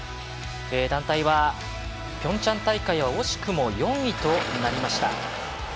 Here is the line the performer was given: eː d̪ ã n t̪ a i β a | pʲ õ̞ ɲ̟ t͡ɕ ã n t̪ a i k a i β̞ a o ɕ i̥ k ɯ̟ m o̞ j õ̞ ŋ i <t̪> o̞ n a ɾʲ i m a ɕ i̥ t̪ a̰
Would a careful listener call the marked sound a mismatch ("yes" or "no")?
no